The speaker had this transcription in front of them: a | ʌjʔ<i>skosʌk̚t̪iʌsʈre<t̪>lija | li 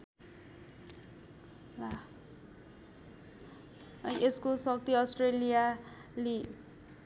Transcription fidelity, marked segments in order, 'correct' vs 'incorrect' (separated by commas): incorrect, incorrect